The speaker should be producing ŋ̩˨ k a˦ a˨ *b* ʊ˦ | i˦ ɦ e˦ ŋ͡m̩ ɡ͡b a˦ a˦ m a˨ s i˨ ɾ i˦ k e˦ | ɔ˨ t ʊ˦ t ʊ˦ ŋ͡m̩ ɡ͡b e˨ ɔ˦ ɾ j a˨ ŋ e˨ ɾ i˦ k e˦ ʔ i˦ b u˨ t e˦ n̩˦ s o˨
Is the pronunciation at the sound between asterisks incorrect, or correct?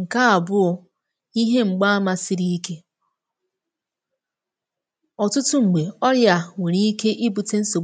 correct